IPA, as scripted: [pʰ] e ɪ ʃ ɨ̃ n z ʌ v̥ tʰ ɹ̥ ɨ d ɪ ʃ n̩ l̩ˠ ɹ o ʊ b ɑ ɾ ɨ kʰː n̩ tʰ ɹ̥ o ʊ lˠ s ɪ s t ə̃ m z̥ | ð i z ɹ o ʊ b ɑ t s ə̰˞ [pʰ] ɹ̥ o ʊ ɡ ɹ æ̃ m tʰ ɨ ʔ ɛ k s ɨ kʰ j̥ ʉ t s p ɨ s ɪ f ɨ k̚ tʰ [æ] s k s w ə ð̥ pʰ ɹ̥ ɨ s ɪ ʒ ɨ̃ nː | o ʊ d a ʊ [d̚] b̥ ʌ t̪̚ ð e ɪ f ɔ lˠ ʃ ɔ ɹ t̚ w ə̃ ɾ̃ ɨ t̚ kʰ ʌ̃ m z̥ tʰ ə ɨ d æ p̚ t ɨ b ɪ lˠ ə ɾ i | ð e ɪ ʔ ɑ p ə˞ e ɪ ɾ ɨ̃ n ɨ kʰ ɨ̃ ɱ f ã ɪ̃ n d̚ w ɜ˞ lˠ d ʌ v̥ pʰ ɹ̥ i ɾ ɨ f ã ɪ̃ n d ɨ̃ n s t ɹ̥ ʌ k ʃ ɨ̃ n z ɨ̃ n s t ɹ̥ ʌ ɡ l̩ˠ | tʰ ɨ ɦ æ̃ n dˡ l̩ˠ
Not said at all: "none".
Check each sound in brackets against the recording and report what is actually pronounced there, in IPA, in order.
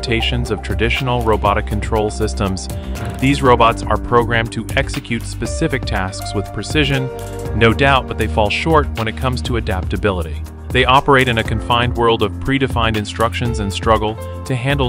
tʰ, pʰ, æ, t̚

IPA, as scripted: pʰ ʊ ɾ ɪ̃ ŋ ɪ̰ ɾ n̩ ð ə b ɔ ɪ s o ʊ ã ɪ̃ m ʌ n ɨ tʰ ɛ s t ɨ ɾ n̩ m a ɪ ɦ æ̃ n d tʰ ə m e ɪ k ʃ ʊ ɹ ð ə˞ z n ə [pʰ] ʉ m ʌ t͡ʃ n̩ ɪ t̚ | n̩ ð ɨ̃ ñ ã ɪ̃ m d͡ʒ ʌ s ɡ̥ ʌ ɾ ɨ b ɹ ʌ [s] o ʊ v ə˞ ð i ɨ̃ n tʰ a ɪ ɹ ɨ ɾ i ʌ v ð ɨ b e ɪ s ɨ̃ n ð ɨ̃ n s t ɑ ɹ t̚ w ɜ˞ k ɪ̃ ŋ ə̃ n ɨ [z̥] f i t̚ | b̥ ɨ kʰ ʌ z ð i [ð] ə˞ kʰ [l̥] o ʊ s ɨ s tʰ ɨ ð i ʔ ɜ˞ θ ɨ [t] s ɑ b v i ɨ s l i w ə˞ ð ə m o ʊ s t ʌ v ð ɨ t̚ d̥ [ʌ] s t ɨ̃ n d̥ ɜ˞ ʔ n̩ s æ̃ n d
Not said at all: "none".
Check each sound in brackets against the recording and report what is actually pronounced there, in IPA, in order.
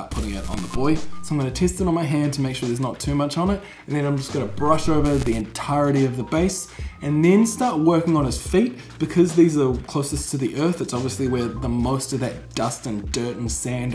tʰ, ʃ, z̥, z, l̥, t, ʌ

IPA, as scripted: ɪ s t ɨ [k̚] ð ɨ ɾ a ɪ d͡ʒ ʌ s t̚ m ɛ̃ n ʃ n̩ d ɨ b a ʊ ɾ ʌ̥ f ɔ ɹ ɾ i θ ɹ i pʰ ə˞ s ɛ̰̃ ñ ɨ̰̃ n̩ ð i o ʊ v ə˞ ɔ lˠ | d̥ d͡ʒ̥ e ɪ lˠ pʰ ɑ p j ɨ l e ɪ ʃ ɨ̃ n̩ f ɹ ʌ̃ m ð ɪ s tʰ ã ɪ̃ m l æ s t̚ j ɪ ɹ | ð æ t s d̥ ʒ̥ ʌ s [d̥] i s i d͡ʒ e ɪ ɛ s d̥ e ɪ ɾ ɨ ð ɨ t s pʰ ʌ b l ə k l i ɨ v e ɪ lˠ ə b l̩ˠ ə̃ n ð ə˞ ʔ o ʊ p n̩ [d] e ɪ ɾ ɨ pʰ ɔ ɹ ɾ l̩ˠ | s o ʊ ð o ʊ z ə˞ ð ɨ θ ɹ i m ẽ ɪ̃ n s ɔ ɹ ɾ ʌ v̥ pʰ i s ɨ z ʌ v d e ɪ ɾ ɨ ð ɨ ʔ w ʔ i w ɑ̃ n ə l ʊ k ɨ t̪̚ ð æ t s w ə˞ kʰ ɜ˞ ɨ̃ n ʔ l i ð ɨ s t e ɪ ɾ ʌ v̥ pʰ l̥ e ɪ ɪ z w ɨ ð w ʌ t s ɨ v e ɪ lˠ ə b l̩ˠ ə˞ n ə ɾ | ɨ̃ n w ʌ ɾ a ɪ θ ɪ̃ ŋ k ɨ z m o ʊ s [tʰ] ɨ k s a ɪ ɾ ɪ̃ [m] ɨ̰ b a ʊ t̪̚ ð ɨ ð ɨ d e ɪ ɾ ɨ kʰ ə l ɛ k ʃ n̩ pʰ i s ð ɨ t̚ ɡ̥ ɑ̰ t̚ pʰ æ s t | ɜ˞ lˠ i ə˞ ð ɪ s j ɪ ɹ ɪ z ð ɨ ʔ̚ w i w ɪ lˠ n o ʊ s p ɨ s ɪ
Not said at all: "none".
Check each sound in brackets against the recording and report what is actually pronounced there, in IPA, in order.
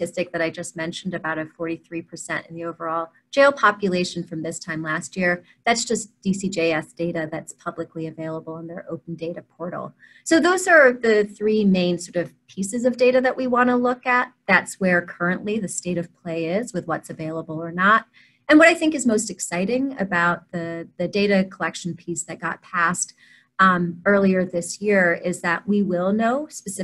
k̚, d̥, d, t, ŋ

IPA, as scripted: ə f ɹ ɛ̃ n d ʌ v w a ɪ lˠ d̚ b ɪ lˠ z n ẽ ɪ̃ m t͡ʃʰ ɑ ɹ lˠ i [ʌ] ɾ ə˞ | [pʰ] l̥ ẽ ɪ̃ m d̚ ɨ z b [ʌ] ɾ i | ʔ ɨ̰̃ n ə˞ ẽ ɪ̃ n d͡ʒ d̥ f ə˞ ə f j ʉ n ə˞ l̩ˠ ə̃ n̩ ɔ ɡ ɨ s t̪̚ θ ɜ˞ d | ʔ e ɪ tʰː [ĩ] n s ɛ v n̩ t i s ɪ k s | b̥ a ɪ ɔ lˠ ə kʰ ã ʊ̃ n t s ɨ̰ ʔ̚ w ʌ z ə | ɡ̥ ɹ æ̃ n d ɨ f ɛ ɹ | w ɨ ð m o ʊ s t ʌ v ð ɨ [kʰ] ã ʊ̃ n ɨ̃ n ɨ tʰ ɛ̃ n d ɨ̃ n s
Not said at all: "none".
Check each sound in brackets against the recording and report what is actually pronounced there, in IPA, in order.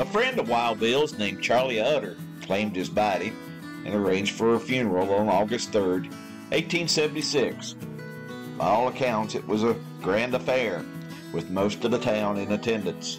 ʌ, kʰ, ɑ, ĩ, tʰ

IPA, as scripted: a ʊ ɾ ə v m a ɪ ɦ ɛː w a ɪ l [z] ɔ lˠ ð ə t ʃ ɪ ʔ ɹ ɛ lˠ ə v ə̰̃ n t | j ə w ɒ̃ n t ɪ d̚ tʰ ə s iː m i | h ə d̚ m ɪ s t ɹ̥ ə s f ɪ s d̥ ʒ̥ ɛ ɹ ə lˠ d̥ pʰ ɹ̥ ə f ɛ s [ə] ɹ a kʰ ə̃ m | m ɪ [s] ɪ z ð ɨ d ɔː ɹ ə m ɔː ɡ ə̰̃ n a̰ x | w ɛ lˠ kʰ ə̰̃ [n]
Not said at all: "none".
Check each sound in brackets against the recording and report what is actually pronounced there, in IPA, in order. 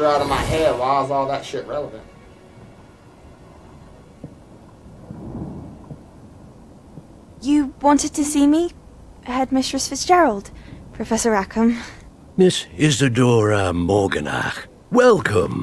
z, ə, s, m

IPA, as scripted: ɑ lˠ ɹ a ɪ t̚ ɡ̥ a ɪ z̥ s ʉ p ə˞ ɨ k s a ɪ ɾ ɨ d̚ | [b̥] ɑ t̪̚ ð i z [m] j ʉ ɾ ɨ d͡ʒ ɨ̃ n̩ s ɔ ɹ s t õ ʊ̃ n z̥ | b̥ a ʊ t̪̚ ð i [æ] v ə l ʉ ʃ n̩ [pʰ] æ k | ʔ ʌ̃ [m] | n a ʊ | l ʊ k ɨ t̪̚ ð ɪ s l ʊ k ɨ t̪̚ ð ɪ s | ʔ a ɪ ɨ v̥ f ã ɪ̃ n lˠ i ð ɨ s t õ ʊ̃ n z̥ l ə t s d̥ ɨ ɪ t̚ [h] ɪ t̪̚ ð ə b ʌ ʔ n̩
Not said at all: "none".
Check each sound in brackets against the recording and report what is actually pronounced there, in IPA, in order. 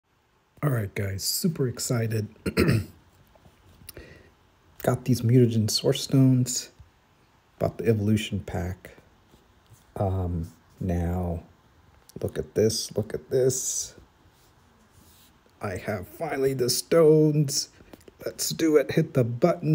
ɡ̥, m, ɛ, pʰ, m, h

